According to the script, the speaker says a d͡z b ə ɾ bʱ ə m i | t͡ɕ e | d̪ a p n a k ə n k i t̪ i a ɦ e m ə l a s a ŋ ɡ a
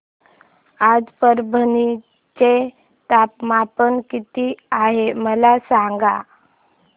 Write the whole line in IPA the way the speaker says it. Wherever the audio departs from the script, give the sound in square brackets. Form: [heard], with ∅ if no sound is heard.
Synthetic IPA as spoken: a d͡z [p] ə ɾ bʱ ə [n] i | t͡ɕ e | [t̪] a p [m] a [p] ə n k i t̪ i a ɦ e m ə l a s a ŋ ɡ a